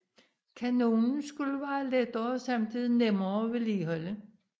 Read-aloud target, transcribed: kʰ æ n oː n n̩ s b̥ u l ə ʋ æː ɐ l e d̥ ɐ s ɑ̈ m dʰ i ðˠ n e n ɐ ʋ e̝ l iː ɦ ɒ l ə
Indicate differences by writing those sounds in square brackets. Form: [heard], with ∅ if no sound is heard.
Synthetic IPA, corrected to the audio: kʰ æ n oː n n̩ s [ɡ̥] u l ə ʋ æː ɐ l e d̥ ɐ s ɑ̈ m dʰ i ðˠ n e [m] ɐ ʋ e̝ l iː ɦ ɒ l ə